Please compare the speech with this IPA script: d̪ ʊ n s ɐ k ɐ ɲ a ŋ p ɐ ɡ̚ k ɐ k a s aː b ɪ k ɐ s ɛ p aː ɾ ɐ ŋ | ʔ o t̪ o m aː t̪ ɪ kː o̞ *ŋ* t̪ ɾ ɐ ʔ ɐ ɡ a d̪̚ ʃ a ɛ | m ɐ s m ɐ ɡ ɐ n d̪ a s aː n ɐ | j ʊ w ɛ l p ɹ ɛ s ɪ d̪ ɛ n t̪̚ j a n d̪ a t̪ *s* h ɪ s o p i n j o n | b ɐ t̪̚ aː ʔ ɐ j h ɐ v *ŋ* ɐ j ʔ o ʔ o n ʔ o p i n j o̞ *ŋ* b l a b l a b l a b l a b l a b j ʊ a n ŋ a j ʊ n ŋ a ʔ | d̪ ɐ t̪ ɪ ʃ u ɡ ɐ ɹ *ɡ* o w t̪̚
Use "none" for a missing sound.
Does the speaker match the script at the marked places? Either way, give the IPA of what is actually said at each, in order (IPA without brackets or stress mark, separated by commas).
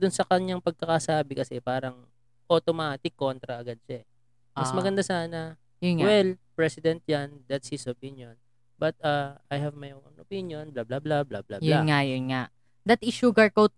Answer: n, s, m, n, k